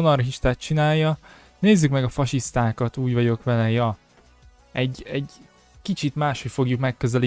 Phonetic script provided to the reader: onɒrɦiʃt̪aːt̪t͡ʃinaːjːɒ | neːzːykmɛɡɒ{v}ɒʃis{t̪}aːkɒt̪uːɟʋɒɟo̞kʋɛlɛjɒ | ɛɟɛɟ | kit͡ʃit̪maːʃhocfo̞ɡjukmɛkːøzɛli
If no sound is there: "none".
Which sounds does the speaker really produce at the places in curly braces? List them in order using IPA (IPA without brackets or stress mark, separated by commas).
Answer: f, t̪